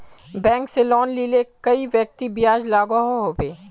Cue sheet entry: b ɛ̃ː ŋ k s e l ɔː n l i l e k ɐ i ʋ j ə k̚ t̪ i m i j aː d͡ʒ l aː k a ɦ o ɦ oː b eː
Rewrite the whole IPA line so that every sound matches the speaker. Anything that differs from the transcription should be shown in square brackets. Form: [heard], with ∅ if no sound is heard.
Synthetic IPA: b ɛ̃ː ŋ k s e l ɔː n l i l e k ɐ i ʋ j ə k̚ t̪ i [b] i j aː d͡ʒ l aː [ɡ] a ɦ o ɦ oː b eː